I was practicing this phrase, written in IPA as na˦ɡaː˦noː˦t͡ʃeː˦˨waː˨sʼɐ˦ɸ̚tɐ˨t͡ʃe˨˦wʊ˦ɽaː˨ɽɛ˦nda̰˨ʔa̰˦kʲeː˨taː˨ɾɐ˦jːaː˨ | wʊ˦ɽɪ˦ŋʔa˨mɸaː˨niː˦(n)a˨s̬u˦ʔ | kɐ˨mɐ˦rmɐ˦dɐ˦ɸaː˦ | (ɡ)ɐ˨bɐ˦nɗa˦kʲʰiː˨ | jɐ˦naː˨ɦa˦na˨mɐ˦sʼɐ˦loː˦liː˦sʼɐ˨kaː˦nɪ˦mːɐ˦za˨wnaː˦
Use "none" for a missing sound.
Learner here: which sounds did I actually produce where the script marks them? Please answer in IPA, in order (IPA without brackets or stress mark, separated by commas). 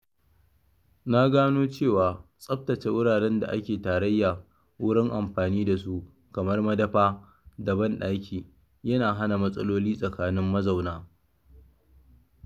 d, d